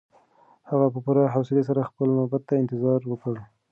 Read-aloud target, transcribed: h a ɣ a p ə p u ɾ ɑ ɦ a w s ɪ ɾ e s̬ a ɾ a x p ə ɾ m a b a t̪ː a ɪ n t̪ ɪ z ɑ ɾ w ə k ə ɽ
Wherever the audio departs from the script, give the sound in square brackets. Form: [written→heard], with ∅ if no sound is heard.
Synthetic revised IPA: h a ɣ a p ə p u ɾ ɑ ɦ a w s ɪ [ɾ→l] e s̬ a ɾ a x p ə [ɾ→l] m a b a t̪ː a ɪ n t̪ ɪ z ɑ ɾ w ə k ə ɽ